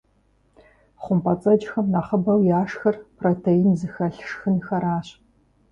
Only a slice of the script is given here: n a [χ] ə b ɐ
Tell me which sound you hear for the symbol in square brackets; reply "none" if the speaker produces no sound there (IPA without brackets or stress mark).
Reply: χ